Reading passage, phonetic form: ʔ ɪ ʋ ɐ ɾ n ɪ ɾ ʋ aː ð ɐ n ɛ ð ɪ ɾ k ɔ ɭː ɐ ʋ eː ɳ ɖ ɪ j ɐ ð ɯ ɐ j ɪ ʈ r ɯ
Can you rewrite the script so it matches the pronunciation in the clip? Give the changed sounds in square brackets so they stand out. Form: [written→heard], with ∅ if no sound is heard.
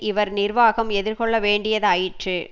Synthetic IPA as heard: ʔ ɪ ʋ ɐ ɾ n ɪ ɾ ʋ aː [ð→ɣ] ɐ [n→m] ɛ ð ɪ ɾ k ɔ ɭː ɐ ʋ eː ɳ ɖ ɪ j ɐ ð ɯ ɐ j ɪ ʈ r ɯ